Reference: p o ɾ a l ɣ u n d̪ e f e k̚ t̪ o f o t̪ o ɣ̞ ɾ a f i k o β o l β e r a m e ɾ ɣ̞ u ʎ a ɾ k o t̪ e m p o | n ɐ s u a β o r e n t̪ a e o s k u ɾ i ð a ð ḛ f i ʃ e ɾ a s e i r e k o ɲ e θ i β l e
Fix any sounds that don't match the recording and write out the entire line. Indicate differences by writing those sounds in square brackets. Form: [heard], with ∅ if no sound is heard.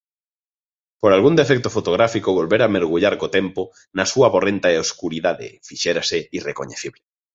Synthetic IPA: p o ɾ a l ɣ u n d̪ e f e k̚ t̪ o f o t̪ o ɣ̞ ɾ a f i k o β o l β e [ɾ] a m e ɾ ɣ̞ u ʎ a ɾ k o t̪ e m p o | n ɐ s u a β o r e n t̪ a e o s k u ɾ i ð a ð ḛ f i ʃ e ɾ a s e i r e k o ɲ e θ i β l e